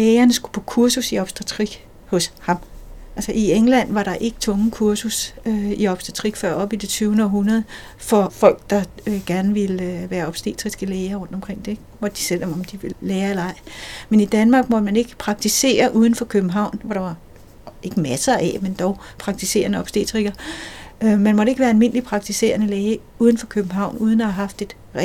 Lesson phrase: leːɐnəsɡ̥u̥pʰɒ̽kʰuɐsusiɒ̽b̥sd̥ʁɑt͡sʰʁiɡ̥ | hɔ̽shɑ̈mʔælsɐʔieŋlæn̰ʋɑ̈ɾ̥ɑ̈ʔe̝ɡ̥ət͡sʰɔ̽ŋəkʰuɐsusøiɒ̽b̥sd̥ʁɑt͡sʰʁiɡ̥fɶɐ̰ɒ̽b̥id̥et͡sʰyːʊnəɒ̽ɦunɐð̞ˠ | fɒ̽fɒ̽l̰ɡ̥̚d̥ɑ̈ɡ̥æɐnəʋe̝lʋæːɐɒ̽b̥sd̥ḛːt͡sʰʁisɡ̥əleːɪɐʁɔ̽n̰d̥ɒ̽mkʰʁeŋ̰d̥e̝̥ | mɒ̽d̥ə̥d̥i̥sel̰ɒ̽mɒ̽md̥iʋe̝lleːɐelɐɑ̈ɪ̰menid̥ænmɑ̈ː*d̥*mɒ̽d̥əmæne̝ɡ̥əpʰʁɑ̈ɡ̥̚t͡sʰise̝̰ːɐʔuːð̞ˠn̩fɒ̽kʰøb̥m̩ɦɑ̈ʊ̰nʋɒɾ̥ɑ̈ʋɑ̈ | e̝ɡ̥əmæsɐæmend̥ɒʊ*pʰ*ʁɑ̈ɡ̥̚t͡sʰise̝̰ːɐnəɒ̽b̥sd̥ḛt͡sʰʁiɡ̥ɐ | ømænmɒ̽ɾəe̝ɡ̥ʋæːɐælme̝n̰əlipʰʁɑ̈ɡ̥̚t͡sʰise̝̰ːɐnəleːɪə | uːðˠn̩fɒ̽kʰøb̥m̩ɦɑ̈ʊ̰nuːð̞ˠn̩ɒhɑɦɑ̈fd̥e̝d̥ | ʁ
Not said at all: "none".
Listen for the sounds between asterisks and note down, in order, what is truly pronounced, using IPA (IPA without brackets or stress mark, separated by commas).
ɡ̥, pʰ